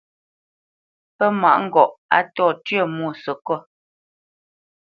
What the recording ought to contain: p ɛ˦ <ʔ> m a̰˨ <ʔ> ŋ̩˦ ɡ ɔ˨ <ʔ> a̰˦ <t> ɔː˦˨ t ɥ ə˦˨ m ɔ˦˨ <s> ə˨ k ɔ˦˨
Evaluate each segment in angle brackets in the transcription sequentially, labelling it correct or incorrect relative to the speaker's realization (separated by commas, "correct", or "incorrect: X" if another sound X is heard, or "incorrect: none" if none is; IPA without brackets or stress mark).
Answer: incorrect: none, correct, correct, correct, correct